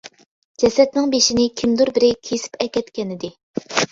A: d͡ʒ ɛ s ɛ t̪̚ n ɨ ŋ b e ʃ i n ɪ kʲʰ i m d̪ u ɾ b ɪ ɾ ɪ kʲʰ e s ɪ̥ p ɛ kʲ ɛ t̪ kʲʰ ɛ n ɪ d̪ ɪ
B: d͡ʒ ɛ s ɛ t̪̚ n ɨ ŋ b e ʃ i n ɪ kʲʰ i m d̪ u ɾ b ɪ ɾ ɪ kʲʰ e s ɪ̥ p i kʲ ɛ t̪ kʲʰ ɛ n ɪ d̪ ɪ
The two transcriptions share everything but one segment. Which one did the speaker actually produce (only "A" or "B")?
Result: A